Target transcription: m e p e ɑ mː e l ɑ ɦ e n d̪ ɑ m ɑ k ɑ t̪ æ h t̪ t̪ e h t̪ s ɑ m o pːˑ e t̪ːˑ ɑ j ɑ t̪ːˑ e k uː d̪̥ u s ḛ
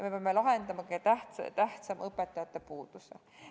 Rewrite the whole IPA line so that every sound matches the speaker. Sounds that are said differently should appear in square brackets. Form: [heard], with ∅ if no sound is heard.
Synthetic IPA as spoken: m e p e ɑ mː e l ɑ ɦ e n d̪ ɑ m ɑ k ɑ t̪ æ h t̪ t̪ [æ] h t̪ s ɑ m [ɤ] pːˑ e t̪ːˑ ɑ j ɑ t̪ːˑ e [p] uː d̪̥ u s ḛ